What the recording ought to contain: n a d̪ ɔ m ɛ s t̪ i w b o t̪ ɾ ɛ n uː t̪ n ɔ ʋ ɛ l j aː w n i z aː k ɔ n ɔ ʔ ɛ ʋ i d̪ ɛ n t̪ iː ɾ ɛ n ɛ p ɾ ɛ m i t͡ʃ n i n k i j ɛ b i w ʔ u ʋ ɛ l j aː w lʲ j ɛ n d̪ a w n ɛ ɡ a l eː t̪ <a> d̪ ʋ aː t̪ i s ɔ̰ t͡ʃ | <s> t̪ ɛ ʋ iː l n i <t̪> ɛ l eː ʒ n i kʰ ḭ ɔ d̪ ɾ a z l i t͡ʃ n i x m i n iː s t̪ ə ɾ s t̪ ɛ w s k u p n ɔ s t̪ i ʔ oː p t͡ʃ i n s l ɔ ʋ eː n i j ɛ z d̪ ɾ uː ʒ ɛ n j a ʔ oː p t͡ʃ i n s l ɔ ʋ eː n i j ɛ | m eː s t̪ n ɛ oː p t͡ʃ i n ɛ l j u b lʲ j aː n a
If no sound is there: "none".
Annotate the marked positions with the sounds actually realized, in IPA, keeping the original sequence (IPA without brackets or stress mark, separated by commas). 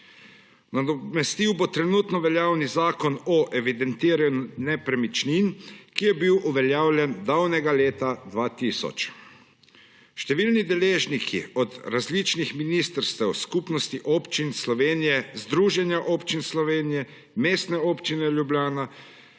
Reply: a, ʃ, d̪